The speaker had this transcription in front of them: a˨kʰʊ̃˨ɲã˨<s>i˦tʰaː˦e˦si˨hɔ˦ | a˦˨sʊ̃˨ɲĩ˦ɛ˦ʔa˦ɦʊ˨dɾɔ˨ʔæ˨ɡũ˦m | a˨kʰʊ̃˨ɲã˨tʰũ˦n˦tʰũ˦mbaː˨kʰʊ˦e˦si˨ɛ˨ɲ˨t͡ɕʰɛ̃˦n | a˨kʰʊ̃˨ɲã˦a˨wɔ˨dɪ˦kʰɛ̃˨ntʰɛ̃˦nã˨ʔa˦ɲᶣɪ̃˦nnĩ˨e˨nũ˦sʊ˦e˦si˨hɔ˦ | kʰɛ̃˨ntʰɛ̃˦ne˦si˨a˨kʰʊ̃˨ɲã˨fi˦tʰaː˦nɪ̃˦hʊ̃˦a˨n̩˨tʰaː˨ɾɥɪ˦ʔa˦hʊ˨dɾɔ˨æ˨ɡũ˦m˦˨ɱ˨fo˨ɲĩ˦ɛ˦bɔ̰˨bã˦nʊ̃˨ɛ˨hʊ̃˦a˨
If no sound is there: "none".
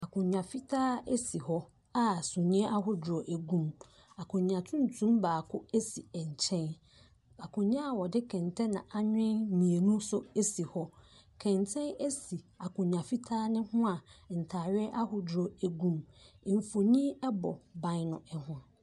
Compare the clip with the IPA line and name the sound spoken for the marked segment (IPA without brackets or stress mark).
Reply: f